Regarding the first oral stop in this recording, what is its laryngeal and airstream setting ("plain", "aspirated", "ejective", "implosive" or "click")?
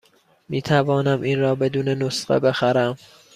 aspirated